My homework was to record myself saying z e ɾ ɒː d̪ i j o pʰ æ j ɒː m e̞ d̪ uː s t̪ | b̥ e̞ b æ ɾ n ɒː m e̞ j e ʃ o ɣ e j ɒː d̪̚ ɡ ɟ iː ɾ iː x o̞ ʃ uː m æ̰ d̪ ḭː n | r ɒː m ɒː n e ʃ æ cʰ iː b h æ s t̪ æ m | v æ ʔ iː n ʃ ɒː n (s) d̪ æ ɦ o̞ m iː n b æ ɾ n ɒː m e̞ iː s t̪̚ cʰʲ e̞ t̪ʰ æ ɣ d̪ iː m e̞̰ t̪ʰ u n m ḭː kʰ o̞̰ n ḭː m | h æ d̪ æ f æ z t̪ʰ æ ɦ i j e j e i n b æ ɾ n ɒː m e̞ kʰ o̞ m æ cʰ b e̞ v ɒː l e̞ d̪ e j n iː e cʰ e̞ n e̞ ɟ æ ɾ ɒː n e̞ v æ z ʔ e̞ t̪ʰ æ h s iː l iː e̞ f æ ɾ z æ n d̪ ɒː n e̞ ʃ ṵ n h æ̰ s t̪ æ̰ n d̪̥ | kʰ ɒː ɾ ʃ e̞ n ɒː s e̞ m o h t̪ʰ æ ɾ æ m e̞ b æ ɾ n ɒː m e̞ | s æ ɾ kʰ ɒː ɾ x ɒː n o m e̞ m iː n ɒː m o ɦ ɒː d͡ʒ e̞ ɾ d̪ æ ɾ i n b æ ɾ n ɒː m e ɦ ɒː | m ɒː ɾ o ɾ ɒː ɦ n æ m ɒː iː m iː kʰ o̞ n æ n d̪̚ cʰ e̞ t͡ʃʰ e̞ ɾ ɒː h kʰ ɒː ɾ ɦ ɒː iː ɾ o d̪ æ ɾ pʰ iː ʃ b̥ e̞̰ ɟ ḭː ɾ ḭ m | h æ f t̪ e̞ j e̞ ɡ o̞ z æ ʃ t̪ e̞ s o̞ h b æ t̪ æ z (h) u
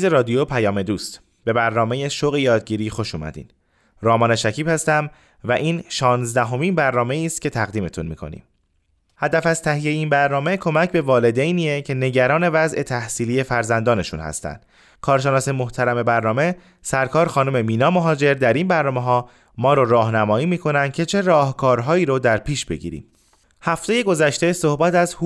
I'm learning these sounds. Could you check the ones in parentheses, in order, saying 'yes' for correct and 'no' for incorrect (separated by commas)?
no, yes